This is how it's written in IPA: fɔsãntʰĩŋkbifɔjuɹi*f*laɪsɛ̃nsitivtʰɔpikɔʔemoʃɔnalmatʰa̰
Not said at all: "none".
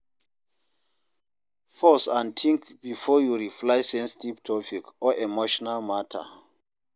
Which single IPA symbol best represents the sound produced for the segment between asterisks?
f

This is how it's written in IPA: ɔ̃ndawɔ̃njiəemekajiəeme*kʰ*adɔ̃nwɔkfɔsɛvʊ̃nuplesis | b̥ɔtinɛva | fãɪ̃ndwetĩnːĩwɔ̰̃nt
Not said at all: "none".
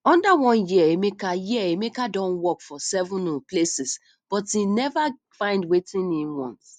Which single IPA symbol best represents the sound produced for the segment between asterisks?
k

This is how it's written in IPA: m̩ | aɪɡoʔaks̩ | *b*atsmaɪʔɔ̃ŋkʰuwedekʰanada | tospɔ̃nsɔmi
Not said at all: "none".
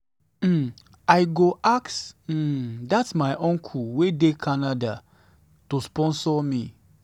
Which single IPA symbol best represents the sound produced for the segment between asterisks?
d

